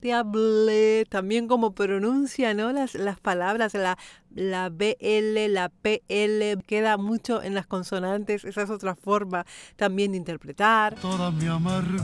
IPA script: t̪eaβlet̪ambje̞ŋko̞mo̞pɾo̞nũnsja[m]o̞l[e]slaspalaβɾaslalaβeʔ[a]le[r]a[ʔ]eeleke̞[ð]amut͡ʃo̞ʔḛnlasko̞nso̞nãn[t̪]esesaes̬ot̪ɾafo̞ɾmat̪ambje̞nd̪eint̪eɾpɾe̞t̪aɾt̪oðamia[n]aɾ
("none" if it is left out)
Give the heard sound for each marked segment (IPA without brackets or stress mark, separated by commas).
n, a, e, l, p, ð, t̪, m